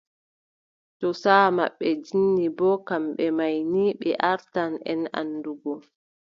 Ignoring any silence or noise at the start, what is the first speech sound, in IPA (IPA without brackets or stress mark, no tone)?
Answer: t